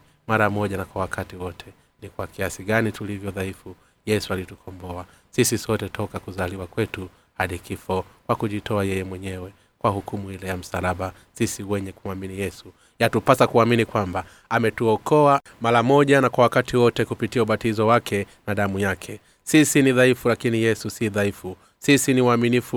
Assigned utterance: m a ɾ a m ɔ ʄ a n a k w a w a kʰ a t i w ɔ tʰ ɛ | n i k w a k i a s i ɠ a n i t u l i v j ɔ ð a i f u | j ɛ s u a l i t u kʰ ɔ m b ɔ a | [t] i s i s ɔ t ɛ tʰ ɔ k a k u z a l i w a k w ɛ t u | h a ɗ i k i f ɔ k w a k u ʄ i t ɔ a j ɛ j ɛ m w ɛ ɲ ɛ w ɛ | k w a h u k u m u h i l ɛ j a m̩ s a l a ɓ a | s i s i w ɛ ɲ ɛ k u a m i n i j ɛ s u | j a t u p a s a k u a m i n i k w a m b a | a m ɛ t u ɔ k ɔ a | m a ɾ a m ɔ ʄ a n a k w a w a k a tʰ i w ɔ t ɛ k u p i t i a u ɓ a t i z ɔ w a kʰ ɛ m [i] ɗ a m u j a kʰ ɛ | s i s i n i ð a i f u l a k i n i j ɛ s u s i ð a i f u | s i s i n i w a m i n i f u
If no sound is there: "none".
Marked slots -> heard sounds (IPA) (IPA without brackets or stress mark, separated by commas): s, a